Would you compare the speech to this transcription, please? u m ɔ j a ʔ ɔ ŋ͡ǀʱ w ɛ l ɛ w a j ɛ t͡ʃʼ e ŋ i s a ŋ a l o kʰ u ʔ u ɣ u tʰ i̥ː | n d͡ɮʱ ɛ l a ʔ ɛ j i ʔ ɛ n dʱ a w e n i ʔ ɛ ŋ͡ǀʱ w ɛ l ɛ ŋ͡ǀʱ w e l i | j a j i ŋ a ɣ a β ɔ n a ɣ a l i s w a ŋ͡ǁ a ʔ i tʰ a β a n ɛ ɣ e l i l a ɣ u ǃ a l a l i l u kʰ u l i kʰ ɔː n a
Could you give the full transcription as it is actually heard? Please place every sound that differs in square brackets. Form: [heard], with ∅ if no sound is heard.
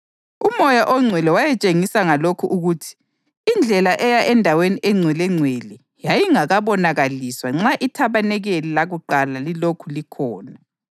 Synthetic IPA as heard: u m ɔ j a ʔ ɔ ŋ͡ǀʱ w ɛ l ɛ w a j ɛ t͡ʃʼ e ŋ i s a ŋ a l o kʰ u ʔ u ɣ u tʰ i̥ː | n d͡ɮʱ ɛ l a ʔ ɛ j [a] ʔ ɛ n dʱ a w e n i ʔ ɛ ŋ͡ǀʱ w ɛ l ɛ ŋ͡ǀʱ w e l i | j a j i ŋ a ɣ a β ɔ n a ɣ a l i s w a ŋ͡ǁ a ʔ i tʰ a β a n ɛ ɣ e l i l a ɣ u ǃ a l a l i l [o] kʰ u l i kʰ ɔː n a